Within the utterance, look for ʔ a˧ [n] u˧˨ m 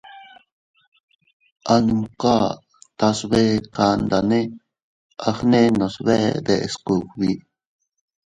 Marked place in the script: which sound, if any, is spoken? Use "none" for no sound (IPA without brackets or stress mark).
n